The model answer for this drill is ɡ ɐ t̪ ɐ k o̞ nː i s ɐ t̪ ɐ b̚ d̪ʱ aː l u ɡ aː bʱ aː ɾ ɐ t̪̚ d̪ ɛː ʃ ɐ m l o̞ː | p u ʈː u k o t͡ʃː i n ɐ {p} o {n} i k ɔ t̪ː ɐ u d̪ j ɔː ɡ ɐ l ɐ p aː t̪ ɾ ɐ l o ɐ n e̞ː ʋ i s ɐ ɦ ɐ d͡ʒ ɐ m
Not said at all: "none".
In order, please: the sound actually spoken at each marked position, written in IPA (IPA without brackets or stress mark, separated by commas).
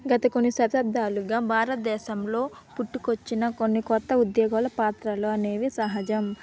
k, nː